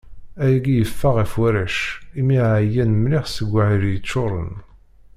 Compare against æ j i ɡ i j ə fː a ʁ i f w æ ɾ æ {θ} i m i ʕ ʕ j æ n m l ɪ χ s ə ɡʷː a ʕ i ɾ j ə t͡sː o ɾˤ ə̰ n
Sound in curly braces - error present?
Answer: yes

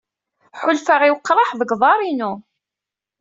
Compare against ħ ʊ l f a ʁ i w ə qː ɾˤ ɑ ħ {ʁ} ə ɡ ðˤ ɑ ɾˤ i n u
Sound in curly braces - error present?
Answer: yes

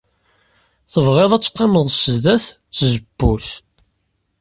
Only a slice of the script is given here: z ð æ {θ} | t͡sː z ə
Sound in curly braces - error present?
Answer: no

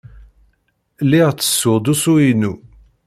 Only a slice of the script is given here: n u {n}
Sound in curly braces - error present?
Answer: yes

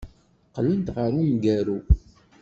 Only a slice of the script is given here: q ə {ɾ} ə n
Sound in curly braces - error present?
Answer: yes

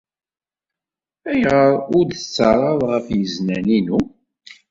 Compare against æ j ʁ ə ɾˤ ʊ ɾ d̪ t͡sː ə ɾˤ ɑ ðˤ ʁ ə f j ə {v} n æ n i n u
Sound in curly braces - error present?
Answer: yes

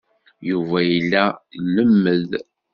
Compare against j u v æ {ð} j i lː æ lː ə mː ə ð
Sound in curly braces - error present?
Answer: yes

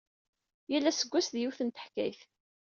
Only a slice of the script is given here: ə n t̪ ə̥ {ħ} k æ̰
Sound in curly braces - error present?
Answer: no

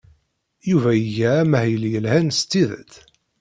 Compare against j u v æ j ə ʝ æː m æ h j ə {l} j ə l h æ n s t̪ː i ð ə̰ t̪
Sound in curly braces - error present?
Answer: no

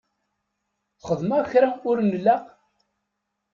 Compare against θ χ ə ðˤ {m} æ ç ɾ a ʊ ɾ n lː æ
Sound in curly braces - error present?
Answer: no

